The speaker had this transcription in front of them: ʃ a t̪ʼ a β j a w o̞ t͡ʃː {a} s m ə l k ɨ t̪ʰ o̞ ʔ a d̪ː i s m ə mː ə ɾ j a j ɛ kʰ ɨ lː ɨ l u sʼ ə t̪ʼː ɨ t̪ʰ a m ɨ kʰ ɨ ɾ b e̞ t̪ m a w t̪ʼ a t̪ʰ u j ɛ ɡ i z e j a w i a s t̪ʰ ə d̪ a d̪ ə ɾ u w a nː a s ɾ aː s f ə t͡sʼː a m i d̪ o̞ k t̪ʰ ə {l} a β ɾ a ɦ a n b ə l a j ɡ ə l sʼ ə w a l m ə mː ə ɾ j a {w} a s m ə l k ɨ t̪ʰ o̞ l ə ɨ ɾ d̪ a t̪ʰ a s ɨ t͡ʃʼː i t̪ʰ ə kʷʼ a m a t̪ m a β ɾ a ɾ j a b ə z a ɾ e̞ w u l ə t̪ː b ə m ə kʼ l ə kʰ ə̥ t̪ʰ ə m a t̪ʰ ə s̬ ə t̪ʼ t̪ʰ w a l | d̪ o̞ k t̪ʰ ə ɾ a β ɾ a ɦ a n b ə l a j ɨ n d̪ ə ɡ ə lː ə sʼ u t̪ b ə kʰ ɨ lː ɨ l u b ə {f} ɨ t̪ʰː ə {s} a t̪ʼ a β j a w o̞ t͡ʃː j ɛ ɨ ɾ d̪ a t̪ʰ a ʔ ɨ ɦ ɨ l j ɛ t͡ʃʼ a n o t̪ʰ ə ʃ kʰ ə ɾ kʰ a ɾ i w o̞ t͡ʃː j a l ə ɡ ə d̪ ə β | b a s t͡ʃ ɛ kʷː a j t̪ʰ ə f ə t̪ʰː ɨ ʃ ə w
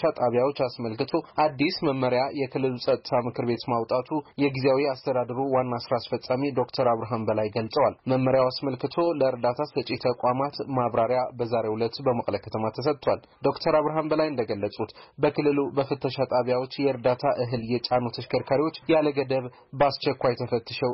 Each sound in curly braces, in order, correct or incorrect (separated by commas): correct, incorrect, correct, correct, incorrect